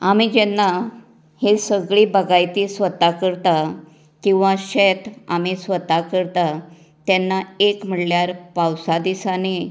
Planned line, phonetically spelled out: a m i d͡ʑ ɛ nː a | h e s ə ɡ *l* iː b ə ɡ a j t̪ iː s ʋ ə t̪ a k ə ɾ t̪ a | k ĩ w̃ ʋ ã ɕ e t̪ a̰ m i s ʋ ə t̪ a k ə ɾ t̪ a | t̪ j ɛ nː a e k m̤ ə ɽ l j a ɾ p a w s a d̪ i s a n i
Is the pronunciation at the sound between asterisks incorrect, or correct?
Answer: incorrect